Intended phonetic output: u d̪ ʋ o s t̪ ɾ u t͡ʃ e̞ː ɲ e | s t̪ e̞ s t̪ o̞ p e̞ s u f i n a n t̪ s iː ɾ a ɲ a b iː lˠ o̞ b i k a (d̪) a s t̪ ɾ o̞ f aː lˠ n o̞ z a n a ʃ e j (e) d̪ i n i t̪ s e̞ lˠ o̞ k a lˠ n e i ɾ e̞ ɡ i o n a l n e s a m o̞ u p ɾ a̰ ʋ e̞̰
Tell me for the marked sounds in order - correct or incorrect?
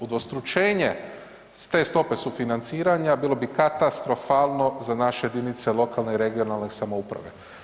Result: incorrect, correct

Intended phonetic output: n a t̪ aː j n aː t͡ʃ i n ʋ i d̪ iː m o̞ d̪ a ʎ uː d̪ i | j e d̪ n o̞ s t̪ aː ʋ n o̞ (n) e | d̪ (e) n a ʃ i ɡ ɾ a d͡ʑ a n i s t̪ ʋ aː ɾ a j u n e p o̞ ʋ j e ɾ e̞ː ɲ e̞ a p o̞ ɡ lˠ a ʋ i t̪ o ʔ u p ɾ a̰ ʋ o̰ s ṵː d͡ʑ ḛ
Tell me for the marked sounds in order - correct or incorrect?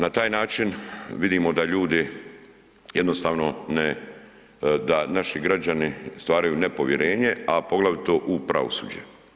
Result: correct, incorrect

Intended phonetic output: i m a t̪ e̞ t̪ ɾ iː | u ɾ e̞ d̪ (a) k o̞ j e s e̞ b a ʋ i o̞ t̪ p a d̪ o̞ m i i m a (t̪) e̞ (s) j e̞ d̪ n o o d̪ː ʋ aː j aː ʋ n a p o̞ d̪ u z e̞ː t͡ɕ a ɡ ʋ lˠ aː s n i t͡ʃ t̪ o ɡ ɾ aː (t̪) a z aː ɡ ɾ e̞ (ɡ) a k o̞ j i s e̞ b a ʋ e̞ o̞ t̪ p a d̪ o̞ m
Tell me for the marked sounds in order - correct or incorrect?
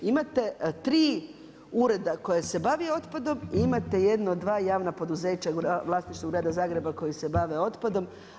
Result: correct, correct, incorrect, incorrect, incorrect

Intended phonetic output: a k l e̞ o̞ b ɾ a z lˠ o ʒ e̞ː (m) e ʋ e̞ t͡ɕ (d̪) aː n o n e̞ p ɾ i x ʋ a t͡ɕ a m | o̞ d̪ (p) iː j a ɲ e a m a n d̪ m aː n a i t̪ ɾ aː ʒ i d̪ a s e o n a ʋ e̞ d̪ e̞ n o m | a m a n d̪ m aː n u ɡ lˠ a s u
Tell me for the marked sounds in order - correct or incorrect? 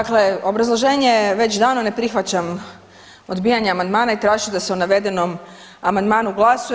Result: incorrect, correct, incorrect

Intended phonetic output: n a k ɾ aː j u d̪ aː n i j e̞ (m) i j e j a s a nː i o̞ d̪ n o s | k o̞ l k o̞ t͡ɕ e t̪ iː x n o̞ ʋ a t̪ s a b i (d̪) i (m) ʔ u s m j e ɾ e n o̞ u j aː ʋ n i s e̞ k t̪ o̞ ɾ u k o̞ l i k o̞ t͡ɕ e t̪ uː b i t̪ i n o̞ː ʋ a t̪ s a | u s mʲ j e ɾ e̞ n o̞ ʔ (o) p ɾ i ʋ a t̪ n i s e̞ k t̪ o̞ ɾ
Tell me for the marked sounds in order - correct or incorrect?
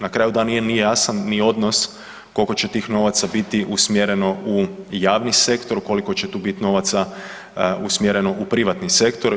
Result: incorrect, incorrect, incorrect, incorrect

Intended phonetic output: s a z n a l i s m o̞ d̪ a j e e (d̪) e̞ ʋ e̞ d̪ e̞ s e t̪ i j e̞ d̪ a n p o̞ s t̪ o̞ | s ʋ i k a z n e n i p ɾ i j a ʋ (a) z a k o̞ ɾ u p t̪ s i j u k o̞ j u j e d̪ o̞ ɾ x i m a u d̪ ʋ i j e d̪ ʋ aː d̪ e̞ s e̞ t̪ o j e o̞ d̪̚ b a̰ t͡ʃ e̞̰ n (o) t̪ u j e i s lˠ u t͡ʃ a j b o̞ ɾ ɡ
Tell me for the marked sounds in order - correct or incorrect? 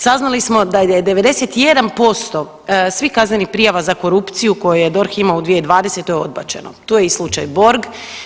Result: correct, correct, correct

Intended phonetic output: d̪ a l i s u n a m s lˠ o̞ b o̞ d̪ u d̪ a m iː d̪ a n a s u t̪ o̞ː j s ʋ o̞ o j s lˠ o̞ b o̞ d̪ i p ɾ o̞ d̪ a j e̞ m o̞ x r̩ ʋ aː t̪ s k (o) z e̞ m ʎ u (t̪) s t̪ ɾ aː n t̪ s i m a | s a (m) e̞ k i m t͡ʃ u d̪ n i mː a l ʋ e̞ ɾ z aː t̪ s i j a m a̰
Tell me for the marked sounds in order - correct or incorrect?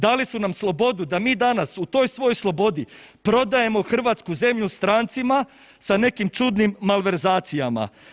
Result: incorrect, incorrect, incorrect

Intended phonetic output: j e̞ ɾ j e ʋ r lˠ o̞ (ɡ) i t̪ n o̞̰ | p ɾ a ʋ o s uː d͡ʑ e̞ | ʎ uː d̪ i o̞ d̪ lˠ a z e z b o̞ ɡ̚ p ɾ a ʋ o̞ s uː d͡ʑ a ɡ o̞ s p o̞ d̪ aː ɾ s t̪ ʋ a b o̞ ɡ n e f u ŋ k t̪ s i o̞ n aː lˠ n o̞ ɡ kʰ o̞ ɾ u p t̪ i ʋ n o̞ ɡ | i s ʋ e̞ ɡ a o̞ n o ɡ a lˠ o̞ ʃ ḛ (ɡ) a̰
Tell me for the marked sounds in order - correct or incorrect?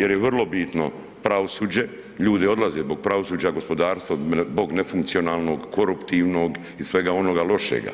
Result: incorrect, correct

